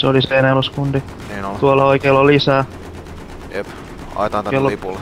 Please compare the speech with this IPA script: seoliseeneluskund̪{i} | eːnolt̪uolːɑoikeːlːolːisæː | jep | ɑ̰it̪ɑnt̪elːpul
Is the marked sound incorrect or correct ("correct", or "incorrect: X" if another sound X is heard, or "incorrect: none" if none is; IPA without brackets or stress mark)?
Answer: correct